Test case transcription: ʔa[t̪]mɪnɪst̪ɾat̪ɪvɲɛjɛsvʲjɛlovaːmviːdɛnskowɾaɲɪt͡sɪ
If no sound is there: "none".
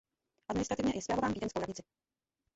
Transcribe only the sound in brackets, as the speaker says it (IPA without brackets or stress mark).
d̪